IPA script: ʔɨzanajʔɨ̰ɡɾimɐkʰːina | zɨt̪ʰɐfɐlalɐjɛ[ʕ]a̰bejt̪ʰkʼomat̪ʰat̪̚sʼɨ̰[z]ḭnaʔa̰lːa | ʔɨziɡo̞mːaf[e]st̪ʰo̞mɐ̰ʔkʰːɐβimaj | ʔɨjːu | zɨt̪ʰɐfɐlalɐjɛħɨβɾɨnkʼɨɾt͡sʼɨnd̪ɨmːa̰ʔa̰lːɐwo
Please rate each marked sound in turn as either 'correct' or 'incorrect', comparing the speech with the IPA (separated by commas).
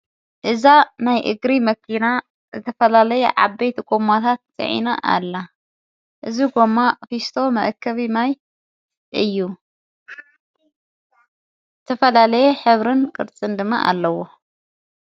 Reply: correct, incorrect, incorrect